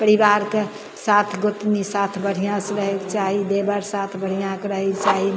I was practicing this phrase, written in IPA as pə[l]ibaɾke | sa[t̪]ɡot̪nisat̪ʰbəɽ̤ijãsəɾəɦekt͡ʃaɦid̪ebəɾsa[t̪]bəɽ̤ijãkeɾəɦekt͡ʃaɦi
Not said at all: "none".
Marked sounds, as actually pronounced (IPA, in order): ɾ, t̪ʰ, t̪ʰ

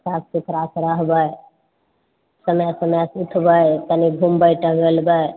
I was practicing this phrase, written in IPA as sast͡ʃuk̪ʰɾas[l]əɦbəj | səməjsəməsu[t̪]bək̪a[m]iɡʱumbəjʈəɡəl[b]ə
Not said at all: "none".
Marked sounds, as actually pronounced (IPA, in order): ɾ, t̪ʰ, n, b

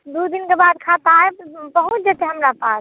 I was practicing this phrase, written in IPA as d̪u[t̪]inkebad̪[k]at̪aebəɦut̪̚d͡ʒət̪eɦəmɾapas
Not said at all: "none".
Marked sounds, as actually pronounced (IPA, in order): d̪, kʰ

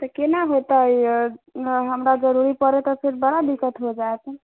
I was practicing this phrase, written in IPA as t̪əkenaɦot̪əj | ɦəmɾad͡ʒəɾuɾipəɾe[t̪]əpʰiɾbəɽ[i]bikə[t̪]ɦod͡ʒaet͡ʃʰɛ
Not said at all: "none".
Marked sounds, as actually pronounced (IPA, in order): t̪, a, t̪

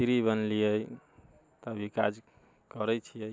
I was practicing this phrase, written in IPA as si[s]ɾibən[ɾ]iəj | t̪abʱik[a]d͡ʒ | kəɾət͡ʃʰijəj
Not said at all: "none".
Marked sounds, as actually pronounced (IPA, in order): none, l, a

